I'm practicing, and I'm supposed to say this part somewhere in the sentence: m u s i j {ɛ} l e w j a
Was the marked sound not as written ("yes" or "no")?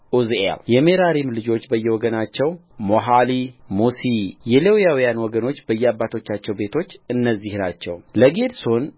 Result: no